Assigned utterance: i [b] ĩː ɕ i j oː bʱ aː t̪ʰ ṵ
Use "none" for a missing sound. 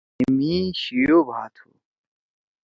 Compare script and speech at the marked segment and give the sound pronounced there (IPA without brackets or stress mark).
m